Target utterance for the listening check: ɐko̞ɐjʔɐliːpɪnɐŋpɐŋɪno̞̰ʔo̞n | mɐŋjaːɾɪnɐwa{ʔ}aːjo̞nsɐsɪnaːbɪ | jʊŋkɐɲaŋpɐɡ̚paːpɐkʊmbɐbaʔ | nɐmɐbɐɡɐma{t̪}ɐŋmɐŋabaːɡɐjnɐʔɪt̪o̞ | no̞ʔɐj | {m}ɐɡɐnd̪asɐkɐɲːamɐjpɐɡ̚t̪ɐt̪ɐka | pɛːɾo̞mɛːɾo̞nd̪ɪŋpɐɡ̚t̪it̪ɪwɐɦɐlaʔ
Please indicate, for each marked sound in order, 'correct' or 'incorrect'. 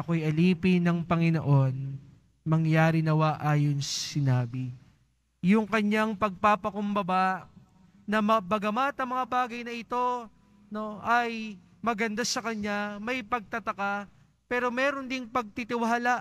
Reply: correct, correct, correct

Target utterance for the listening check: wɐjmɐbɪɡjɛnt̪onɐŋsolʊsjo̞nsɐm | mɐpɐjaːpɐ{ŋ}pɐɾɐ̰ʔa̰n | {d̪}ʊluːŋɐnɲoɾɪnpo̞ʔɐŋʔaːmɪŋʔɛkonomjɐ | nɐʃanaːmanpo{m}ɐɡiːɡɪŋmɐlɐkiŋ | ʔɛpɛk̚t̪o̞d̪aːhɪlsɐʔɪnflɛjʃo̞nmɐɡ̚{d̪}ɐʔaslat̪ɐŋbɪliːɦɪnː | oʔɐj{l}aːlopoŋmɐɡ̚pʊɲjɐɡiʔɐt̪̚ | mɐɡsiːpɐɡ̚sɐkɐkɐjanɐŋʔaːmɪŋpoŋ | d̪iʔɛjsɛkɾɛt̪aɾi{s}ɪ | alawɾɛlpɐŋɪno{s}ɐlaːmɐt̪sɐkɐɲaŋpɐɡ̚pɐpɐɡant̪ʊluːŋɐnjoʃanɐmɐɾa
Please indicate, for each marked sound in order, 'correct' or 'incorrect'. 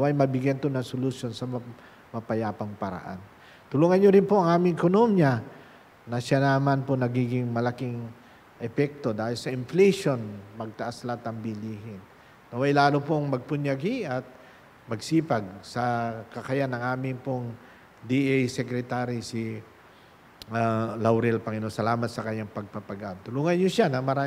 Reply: correct, incorrect: t̪, incorrect: n, incorrect: t̪, correct, correct, correct

